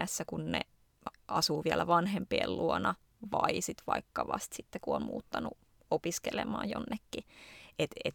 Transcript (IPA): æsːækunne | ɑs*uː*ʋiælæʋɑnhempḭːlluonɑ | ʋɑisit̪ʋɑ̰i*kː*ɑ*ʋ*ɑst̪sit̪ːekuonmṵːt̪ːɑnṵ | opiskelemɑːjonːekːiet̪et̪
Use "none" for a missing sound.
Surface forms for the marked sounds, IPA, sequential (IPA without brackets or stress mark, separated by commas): uː, kː, ʋ